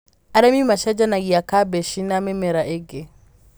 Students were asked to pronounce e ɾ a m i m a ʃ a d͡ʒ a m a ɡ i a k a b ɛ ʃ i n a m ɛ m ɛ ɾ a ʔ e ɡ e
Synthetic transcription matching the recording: a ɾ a m i m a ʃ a d͡ʒ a n a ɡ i a k a b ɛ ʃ i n a m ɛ m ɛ ɾ a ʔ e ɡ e